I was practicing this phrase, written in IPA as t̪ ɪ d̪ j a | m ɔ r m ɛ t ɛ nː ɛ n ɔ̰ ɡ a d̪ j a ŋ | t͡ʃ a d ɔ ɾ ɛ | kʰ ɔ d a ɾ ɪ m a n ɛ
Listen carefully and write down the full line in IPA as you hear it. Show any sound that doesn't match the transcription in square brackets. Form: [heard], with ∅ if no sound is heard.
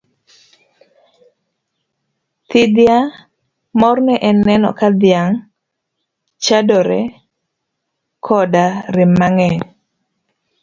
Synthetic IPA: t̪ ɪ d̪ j a | m ɔ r [n] ɛ [ʔ] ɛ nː ɛ n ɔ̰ [k] a d̪ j a ŋ | t͡ʃ a d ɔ ɾ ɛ | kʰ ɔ d a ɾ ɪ m a [ŋ] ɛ